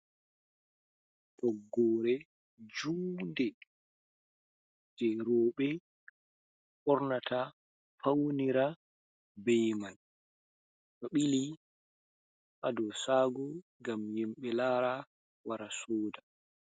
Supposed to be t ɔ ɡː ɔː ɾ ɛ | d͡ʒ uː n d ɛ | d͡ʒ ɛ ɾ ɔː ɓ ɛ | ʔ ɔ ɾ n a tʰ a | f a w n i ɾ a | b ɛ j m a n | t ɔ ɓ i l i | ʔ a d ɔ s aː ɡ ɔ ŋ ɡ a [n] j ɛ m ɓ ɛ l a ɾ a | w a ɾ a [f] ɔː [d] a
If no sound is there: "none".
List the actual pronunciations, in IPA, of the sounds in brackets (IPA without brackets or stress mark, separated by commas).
m, s, d